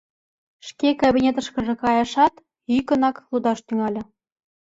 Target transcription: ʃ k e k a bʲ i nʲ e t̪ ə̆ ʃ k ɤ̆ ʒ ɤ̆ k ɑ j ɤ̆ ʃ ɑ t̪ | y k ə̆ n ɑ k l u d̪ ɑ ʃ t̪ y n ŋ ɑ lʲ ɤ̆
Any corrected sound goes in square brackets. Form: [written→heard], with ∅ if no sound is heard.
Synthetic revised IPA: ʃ k e k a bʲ i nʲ e t̪ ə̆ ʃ k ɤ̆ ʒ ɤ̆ k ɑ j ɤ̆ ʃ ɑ t̪ | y k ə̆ n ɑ k l u d̪ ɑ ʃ t̪ y [n→∅] ŋ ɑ lʲ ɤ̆